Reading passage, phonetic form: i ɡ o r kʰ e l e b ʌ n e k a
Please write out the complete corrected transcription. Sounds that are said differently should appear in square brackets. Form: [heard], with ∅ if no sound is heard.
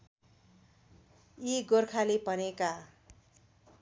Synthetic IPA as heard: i ɡ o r kʰ [a] l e [p] ʌ n e k a